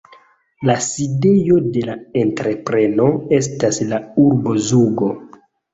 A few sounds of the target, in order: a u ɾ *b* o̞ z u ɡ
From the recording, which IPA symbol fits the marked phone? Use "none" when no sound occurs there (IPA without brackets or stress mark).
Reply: b